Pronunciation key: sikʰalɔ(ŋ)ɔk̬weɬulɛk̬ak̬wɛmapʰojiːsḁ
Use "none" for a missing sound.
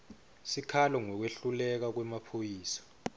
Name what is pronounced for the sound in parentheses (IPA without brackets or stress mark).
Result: ŋ